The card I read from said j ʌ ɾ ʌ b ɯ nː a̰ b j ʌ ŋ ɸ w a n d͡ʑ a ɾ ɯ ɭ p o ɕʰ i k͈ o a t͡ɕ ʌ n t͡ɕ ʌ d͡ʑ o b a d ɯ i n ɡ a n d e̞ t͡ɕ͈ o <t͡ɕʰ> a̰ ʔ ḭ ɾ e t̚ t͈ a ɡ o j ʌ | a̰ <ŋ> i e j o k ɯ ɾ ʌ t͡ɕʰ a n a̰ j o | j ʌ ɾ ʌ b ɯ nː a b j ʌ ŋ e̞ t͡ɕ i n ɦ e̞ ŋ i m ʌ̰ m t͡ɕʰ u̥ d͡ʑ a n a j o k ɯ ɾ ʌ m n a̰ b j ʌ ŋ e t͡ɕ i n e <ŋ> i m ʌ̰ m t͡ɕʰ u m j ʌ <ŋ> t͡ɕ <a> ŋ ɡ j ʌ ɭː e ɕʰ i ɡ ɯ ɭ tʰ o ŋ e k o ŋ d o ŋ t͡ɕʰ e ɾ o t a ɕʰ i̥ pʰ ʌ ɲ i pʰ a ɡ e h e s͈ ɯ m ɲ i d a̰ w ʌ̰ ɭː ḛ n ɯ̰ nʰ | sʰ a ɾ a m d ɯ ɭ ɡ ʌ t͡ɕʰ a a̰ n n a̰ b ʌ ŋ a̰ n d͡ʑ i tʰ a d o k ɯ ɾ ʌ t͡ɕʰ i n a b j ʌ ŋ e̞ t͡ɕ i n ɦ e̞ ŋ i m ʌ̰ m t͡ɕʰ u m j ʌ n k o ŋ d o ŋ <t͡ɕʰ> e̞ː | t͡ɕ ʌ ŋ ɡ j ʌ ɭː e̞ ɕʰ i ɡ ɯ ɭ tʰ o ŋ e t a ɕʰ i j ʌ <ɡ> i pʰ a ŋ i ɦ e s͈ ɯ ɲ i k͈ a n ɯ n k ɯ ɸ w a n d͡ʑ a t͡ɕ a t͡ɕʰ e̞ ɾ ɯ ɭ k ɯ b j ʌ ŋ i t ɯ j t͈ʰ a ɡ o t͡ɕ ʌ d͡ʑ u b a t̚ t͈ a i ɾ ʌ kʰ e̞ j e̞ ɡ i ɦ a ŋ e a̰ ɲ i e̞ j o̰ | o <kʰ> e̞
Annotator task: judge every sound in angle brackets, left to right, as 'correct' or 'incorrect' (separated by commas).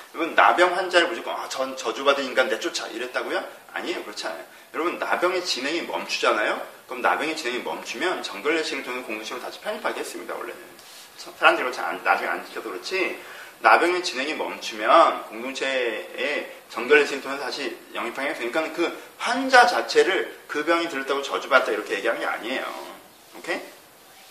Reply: correct, incorrect, correct, incorrect, incorrect, correct, incorrect, correct